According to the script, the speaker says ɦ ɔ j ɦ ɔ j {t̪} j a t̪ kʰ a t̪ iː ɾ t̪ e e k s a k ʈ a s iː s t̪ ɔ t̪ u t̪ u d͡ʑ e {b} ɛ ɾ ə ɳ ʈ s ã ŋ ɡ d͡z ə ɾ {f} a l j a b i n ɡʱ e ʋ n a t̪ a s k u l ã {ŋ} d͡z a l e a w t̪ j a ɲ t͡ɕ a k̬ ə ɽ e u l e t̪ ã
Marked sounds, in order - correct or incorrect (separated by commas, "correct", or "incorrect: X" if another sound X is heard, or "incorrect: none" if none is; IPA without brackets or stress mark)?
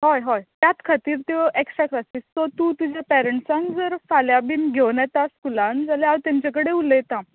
correct, incorrect: p, correct, incorrect: n